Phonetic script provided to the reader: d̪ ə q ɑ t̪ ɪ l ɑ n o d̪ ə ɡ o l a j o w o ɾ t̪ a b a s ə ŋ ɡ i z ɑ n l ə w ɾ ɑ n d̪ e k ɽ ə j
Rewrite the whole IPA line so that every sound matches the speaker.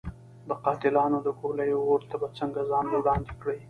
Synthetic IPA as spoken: d̪ ə q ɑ t̪ ɪ l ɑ n o d̪ ə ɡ o l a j o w o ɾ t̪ a b a t͡s ə ŋ ɡ a z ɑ n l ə w ɽ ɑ n d̪ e k ɽ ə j

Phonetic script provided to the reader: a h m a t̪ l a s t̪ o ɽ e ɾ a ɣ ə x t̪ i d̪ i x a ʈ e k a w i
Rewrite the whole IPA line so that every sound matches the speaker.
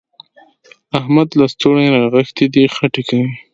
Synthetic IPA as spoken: a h m a d̪ l a s t̪ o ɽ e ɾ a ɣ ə x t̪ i d̪ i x a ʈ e k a w i

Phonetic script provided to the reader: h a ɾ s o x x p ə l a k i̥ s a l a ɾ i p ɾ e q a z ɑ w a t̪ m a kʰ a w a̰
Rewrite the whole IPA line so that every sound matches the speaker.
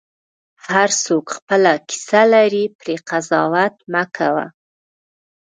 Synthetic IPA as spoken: h a ɾ s o k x p ə l a k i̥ s a l a ɾ i p ɾ e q a z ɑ w a t̪ m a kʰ a w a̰

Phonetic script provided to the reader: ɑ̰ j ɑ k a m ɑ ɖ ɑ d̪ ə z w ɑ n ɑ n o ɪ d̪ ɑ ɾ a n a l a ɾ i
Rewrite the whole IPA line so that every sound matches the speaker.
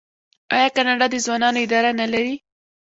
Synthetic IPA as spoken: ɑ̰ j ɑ k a n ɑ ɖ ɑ d̪ ə z w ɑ n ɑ n o ɪ d̪ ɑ ɾ a n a l a ɾ i

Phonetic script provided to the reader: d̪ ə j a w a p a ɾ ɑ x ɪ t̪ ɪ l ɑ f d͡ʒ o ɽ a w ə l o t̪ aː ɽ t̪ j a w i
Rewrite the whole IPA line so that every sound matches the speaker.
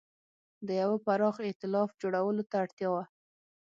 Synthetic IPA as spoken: d̪ ə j a w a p a ɾ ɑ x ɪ t̪ ɪ l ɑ f d͡ʒ o ɽ a w ə l o t̪ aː ɽ t̪ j ɑ w a

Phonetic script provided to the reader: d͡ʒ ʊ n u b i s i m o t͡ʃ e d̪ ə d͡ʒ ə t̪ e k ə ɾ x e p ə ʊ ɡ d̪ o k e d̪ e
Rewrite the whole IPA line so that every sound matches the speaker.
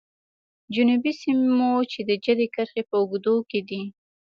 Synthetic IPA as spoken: d͡ʒ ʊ n u b i s i m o t͡ʃ e d̪ ə d͡ʒ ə d̪ e k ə ɾ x e p ə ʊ ɡ d̪ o k e d̪ i

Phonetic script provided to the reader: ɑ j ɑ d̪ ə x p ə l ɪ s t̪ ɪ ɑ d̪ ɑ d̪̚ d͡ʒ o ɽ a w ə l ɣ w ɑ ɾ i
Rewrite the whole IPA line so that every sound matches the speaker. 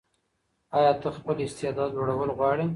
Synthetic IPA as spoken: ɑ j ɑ t̪ ə x p ə l ɪ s t̪ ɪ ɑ d̪ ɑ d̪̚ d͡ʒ o ɽ a w ə l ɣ w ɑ ɽ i

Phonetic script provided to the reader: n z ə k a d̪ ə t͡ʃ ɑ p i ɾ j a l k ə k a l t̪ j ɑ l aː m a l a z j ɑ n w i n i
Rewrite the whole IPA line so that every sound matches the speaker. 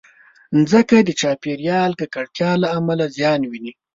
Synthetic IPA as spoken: n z ə k a d̪ ə t͡ʃ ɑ p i ɾ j ɑ l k ə k a ɽ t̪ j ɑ l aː m a l a z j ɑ n w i n i

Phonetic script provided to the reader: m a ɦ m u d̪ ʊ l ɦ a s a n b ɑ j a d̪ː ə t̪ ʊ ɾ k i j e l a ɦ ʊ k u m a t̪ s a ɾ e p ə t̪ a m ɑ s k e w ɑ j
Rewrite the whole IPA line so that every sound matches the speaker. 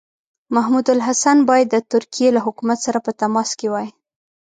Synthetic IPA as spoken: m a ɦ m u d̪ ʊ l ɦ a s a n b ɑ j a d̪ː ə t̪ ʊ ɾ k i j e l a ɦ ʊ k u m a t̪ s a ɾ a p ə t̪ a m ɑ s k e w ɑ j

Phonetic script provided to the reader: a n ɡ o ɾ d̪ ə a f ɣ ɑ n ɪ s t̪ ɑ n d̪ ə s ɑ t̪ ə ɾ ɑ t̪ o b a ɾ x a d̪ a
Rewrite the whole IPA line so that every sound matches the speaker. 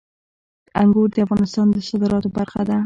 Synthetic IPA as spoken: a ŋ ɡ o ɾ d̪ ə a f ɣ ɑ n ɪ s t̪ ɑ n d̪ ə s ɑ d̪ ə ɾ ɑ t̪ o b a ɾ x a d̪ a

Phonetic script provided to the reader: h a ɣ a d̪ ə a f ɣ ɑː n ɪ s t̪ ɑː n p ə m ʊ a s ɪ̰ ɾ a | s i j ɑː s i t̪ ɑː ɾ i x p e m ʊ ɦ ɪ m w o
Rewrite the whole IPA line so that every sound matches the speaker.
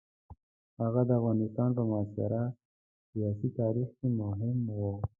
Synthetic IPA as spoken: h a ɣ a d̪ ə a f ɣ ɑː n ɪ s t̪ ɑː n p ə m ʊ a s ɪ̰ ɾ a | s i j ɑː s i t̪ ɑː ɾ i x k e m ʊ ɦ ɪ m w o

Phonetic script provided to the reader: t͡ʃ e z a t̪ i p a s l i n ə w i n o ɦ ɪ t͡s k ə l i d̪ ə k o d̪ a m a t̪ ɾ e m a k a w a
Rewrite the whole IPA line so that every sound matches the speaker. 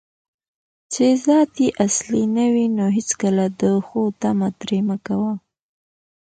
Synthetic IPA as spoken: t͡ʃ e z ɑ t̪ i ʔ a s l i n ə w i n o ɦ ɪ t͡s k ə l a d̪ ə x o t̪ a m a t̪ ɾ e m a k a w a

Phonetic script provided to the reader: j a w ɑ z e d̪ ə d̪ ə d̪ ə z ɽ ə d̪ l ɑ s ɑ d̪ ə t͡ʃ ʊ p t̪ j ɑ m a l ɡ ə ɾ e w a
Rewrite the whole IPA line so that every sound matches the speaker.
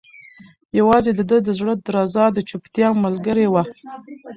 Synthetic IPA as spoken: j a w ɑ z e d̪ ə d̪ ə d̪ ə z ɽ ə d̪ ɾ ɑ z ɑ d̪ ə t͡ʃ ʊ p t̪ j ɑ m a l ɡ ə ɾ e w a

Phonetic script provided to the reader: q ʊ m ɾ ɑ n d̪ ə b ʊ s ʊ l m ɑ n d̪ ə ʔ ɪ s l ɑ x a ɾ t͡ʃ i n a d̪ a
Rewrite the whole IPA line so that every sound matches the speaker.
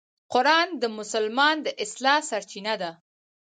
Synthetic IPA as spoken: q ʊ ɾ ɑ n d̪ ə m ʊ s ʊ l m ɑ n d̪ ə ʔ ɪ s l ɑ s a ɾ t͡ʃ i n a d̪ a

